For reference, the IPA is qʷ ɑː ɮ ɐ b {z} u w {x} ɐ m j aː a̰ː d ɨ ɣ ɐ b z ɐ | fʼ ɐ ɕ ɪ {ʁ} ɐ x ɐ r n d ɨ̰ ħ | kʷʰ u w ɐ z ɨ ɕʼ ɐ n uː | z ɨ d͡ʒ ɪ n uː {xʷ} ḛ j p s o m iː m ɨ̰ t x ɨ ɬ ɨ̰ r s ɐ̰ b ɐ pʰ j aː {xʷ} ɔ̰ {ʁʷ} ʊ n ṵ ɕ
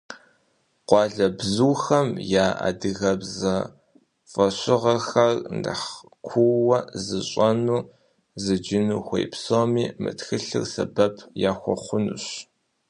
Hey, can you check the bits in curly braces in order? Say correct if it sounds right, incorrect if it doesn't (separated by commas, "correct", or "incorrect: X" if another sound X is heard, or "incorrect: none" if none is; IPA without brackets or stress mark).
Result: correct, correct, correct, correct, correct, incorrect: χʷ